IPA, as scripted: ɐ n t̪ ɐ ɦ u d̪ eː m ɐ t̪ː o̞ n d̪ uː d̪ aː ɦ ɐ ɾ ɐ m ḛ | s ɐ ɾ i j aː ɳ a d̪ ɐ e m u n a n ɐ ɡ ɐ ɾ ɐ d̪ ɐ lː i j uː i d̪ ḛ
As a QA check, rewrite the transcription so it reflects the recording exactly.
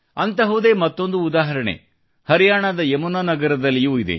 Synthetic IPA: ɐ n t̪ ɐ ɦ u d̪ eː m ɐ t̪ː o̞ n d̪ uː d̪ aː ɦ ɐ ɾ ɐ ɳ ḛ | h ɐ ɾ i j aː ɳ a d̪ ɐ e m u n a n ɐ ɡ ɐ ɾ ɐ d̪ ɐ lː i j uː i d̪ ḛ